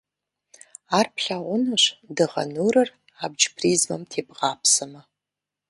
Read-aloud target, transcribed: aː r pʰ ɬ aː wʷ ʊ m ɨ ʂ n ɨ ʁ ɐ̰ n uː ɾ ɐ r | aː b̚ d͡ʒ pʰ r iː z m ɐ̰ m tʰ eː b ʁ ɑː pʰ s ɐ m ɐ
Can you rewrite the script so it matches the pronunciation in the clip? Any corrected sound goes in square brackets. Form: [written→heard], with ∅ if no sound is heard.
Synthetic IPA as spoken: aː r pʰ ɬ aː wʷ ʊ [m→n] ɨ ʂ [n→d] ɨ ʁ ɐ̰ n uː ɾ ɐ r | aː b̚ d͡ʒ pʰ r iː z m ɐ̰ m tʰ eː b ʁ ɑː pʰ s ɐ m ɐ